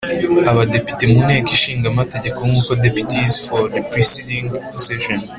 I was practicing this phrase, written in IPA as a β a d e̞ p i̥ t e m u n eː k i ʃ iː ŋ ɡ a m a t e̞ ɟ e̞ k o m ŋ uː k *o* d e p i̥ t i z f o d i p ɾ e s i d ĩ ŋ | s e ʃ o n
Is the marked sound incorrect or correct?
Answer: correct